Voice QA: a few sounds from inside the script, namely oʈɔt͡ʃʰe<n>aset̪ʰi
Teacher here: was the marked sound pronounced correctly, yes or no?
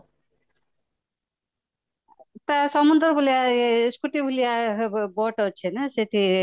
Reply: yes